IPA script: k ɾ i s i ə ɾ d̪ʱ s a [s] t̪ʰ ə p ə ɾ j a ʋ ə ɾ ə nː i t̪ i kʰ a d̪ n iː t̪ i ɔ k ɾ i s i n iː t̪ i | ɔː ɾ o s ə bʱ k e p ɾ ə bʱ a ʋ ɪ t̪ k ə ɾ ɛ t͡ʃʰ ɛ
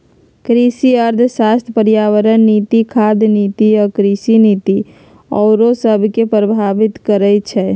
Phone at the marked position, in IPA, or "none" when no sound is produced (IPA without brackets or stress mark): s